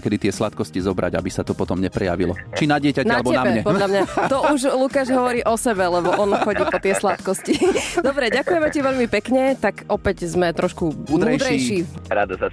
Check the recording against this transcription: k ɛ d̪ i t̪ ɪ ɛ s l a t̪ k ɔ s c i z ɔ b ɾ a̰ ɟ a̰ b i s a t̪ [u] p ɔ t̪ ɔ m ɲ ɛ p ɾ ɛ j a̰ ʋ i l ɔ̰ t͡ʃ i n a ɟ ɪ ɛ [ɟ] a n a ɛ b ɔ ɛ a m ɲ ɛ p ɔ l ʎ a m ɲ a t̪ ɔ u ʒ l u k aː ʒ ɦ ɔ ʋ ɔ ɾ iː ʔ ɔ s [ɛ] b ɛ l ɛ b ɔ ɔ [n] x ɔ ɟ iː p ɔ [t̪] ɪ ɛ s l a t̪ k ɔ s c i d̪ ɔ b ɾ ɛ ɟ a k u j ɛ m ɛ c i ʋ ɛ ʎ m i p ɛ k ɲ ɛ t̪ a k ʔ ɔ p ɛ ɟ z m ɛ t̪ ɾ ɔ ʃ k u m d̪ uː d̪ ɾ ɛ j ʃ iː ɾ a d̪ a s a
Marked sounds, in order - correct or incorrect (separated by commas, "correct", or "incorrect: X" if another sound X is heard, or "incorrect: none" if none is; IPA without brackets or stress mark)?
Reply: incorrect: ɔ, incorrect: c, correct, correct, correct